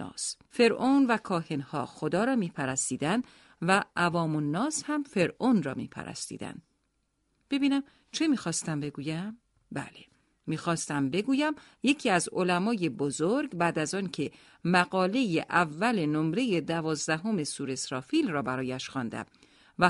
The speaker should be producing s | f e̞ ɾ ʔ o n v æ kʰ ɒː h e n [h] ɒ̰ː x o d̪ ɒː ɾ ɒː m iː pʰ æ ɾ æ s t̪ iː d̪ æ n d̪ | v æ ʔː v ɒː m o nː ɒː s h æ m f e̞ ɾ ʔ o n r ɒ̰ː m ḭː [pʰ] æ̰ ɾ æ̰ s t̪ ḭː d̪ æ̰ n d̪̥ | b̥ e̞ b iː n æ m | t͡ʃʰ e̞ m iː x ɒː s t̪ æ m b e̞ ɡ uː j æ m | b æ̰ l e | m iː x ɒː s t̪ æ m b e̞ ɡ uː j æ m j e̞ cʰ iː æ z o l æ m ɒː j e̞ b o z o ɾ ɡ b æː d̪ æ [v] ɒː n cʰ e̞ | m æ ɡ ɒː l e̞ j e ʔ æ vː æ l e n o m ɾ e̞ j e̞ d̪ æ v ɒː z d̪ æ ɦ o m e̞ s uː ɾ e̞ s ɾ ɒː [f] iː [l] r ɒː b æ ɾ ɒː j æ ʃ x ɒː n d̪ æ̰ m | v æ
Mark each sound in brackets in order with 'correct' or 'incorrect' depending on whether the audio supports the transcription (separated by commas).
correct, correct, incorrect, correct, correct